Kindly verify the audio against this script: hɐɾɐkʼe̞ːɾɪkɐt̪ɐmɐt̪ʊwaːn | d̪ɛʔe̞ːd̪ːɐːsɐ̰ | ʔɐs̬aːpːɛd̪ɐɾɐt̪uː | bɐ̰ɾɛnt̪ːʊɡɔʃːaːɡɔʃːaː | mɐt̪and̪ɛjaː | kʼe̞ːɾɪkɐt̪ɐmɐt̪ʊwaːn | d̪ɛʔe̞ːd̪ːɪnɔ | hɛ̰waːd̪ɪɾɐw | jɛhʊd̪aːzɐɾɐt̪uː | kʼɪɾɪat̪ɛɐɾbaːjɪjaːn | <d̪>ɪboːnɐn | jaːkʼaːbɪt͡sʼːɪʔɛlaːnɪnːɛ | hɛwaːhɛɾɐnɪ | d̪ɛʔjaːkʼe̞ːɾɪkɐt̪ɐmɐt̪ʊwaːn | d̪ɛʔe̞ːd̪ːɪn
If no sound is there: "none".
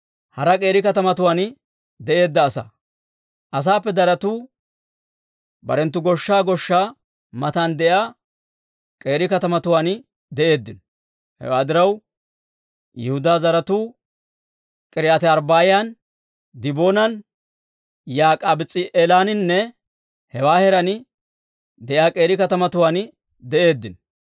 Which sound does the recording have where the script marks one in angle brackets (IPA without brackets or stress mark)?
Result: d̪